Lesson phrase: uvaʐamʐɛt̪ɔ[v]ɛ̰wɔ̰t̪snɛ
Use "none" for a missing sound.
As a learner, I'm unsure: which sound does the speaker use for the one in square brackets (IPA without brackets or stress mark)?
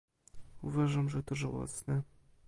ʐ